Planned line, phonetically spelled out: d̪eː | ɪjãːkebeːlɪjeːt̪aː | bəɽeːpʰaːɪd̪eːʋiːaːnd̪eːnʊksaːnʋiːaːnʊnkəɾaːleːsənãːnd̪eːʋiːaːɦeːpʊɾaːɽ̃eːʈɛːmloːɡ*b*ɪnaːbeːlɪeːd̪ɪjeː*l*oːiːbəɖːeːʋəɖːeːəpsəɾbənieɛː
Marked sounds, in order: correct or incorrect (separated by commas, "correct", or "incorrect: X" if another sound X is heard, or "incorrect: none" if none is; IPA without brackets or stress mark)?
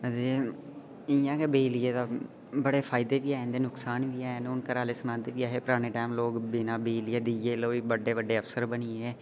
correct, correct